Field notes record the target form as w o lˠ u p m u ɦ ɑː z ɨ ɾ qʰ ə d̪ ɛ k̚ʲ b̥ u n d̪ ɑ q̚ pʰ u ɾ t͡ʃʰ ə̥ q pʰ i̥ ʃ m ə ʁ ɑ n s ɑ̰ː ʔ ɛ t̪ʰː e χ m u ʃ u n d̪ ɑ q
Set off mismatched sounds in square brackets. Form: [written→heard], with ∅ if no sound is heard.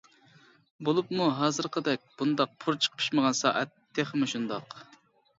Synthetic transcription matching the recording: [w→b] o lˠ u p m u ɦ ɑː z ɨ ɾ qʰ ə d̪ ɛ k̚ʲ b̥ u n d̪ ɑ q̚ pʰ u ɾ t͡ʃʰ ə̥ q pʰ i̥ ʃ m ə ʁ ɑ n s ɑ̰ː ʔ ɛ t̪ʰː e χ m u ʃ u n d̪ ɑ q